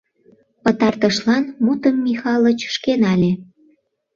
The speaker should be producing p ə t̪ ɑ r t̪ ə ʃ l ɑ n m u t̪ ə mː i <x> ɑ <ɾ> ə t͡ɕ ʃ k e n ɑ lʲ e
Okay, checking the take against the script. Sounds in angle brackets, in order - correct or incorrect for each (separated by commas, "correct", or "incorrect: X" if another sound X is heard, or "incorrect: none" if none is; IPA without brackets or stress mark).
correct, incorrect: l